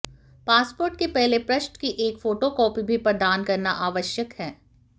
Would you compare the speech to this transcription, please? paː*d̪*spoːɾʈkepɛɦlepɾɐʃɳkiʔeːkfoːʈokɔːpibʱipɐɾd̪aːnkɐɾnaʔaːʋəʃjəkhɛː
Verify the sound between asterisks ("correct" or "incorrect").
incorrect